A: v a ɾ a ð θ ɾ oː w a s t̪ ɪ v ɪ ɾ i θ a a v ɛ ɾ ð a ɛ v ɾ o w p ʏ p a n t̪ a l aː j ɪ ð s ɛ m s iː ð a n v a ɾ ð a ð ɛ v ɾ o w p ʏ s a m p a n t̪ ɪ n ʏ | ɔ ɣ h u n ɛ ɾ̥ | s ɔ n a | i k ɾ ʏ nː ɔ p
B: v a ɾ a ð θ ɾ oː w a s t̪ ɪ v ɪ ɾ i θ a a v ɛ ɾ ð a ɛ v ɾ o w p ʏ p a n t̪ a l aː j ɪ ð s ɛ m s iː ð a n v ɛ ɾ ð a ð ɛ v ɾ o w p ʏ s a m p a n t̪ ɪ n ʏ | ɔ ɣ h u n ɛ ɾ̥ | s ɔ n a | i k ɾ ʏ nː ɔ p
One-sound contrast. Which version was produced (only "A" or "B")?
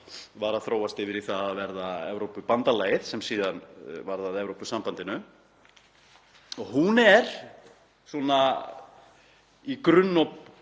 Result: A